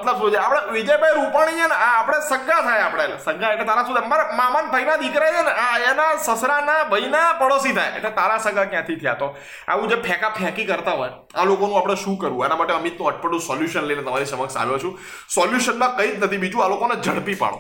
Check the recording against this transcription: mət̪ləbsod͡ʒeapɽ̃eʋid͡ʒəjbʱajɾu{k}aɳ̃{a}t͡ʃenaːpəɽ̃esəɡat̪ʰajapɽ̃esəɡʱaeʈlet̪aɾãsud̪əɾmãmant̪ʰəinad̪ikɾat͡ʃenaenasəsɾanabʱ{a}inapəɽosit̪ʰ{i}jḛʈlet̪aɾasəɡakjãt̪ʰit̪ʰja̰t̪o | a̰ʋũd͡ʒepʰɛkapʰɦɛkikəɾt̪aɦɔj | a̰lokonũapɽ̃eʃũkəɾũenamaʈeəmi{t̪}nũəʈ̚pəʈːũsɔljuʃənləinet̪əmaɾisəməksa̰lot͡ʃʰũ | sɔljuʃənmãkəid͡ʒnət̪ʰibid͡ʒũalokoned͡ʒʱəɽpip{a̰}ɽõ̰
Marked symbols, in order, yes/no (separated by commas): no, no, no, no, yes, yes